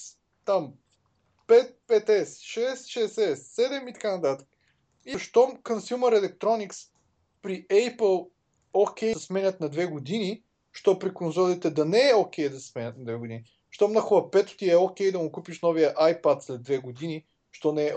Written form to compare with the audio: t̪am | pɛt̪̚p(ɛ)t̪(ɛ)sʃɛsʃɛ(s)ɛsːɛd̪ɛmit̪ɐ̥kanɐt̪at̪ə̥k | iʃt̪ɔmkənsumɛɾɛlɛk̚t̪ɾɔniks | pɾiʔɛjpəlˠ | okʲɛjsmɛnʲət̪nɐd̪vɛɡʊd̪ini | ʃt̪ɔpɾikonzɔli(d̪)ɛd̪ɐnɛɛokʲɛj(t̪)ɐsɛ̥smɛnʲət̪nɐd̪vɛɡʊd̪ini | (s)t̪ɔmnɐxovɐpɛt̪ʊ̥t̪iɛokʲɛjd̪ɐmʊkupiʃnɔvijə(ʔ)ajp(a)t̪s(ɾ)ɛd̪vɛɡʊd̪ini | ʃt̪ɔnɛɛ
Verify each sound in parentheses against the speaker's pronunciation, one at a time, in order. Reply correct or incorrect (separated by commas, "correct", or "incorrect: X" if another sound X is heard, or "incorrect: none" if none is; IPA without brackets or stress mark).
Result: correct, correct, correct, incorrect: t̪, incorrect: d̪, incorrect: ʃ, correct, correct, incorrect: l